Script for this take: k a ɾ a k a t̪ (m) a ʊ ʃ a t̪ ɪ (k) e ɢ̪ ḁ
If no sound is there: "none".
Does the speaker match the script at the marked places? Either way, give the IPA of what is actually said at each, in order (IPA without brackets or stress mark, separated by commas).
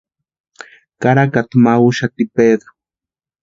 m, p